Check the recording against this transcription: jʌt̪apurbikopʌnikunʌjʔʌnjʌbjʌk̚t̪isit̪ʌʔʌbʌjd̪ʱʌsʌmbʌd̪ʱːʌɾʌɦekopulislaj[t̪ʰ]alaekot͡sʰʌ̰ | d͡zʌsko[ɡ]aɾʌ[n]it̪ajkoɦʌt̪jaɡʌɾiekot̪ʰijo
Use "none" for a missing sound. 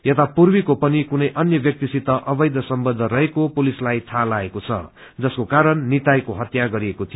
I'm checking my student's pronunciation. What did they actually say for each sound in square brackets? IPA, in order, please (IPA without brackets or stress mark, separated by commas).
t̪ʰ, k, nː